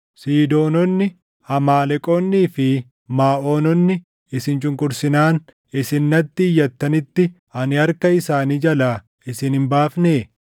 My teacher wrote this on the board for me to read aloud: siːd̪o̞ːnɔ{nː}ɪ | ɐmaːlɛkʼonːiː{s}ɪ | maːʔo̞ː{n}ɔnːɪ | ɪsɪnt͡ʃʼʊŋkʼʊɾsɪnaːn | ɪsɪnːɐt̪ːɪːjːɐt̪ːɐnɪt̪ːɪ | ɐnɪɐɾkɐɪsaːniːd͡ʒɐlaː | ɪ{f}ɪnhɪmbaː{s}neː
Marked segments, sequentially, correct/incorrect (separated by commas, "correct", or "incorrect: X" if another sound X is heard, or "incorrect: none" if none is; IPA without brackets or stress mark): correct, incorrect: f, correct, incorrect: s, incorrect: f